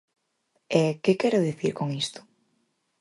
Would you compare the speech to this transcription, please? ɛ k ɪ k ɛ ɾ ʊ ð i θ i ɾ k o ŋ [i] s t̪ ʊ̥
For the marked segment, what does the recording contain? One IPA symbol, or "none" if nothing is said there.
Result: i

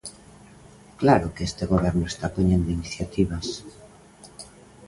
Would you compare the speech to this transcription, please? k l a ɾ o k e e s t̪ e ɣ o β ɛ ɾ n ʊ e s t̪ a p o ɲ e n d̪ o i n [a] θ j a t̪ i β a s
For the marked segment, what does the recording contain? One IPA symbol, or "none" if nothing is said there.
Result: i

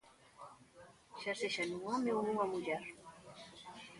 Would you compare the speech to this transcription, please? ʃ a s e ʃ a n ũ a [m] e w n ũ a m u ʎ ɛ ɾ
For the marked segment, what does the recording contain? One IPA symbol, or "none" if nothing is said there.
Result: m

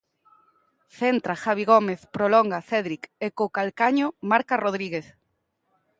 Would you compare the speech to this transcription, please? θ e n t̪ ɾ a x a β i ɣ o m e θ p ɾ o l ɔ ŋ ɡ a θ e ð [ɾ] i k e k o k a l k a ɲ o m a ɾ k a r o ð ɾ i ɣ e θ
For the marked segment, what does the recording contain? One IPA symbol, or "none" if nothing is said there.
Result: ɾ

